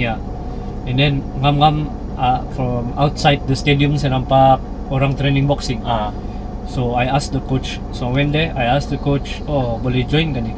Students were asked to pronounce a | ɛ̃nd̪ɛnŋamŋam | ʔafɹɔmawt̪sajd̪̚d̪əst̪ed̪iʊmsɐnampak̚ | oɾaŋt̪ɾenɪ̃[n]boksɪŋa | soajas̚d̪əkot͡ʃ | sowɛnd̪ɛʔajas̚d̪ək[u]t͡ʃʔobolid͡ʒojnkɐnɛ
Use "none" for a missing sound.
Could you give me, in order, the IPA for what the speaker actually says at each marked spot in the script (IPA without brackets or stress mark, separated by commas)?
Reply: ŋ, o